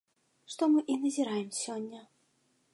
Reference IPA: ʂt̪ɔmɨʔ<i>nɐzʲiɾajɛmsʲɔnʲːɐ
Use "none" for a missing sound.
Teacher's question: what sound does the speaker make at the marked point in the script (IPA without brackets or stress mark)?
i